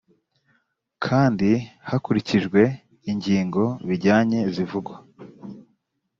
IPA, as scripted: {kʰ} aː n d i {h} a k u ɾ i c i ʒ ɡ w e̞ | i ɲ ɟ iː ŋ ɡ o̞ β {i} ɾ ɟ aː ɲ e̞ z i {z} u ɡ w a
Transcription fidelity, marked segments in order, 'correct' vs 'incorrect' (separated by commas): correct, correct, correct, incorrect